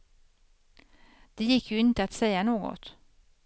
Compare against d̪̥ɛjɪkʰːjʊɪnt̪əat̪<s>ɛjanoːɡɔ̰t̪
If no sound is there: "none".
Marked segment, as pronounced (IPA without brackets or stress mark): s